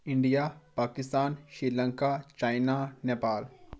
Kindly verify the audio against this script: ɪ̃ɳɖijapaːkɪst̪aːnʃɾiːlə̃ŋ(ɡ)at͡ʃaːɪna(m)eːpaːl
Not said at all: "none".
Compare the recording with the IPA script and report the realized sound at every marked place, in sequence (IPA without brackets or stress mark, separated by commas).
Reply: k, n